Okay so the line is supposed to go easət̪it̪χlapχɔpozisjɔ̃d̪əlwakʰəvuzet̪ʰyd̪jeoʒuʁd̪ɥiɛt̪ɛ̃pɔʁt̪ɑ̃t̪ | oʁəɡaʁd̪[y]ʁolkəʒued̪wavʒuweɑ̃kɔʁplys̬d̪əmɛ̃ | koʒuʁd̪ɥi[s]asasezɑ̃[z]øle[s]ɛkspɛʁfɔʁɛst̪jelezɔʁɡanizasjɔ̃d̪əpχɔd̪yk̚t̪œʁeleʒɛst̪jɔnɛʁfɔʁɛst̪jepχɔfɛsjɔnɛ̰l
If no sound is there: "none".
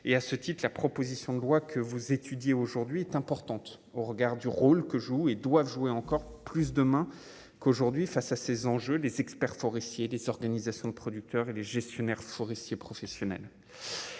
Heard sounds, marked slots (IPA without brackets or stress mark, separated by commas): y, f, ʒ, z